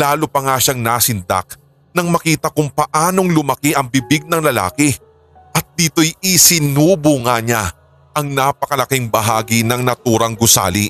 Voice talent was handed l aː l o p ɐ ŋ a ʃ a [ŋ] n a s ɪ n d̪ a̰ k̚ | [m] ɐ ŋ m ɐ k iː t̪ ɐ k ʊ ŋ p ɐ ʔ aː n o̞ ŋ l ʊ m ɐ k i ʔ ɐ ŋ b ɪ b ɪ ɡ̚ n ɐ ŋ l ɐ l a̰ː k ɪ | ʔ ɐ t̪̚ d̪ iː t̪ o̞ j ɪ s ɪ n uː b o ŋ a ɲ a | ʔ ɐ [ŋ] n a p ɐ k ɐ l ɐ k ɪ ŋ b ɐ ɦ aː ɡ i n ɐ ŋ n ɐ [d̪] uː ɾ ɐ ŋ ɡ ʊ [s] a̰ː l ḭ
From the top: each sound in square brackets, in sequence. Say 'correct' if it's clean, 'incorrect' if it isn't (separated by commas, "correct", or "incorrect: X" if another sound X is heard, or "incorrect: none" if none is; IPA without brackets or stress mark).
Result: correct, incorrect: n, correct, incorrect: t̪, correct